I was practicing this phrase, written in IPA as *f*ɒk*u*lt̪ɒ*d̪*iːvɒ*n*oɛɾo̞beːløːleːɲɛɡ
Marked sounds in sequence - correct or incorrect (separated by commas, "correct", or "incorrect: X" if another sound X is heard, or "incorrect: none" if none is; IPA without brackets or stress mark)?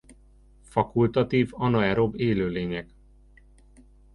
correct, correct, incorrect: t̪, correct